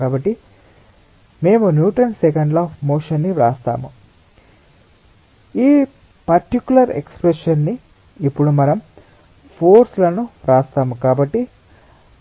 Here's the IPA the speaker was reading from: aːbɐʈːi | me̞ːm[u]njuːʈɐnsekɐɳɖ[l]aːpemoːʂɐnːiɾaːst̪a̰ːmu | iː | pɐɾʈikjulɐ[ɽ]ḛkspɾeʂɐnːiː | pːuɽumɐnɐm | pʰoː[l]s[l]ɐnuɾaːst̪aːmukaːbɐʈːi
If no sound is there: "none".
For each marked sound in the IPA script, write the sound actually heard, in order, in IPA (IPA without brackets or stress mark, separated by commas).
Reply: u, l, ɾ, ɾ, l